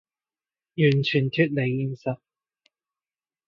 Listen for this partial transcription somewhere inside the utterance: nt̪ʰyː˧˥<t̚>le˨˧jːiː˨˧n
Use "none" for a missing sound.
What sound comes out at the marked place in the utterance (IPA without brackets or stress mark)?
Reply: t̚